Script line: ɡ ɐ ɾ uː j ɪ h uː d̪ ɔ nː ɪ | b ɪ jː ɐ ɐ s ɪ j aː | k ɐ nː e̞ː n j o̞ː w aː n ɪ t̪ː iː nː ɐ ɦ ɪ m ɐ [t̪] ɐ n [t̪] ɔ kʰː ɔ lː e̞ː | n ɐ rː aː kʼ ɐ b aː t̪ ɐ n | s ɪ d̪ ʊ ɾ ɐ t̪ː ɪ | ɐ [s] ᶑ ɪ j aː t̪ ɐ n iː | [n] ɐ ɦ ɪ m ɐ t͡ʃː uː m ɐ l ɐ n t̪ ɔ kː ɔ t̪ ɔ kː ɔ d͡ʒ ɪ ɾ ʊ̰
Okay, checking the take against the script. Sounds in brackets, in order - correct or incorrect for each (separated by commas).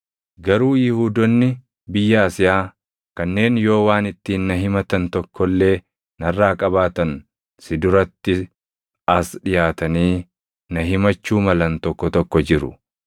correct, correct, correct, correct